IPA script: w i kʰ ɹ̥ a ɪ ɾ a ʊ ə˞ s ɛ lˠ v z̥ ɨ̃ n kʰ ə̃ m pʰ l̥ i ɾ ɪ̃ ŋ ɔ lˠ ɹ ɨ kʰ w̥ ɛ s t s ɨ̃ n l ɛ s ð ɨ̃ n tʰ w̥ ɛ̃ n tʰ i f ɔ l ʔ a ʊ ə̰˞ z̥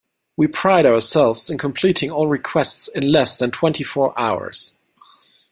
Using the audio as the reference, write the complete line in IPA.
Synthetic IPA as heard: w i pʰ ɹ̥ a ɪ ɾ a ʊ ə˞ s ɛ lˠ v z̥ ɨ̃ n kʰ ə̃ m pʰ l̥ i ɾ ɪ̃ ŋ ɔ lˠ ɹ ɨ kʰ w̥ ɛ s t s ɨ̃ n l ɛ s ð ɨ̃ n tʰ w̥ ɛ̃ n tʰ i f ɔ ɹ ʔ a ʊ ə̰˞ z̥